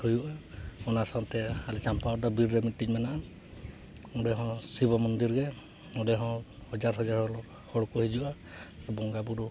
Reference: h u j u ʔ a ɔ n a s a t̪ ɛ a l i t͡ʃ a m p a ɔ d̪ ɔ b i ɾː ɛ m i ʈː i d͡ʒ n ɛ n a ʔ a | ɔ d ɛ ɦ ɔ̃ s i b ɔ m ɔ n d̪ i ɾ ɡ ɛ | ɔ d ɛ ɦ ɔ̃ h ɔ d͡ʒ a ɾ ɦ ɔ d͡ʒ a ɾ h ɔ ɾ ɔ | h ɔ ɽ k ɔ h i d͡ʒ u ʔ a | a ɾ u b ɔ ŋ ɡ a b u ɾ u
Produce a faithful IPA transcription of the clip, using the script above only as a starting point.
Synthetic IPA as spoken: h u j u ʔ a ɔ n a s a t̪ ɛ a l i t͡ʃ a m p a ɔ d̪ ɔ b i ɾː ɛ m i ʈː i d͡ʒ m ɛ n a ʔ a | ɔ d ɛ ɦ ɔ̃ s i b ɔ m ɔ n d̪ i ɾ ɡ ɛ | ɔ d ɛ ɦ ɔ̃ h ɔ d͡ʒ a ɾ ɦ ɔ d͡ʒ a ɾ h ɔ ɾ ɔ | h ɔ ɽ k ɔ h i d͡ʒ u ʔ a | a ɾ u b ɔ ŋ ɡ a b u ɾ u